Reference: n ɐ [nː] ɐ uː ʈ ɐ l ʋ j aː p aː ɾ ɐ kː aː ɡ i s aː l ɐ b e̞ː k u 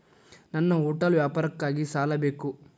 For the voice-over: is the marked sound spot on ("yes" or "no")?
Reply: yes